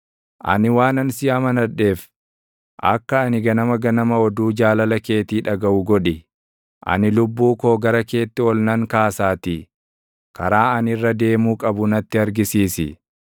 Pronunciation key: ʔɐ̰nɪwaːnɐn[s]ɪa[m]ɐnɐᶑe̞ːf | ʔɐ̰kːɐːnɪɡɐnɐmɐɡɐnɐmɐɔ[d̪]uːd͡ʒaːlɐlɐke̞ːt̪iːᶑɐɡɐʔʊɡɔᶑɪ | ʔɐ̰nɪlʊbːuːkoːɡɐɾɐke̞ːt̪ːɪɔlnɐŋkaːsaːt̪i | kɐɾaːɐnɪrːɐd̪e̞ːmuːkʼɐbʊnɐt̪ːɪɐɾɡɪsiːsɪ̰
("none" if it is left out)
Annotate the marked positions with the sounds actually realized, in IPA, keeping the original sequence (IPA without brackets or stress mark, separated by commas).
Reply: s, m, d̪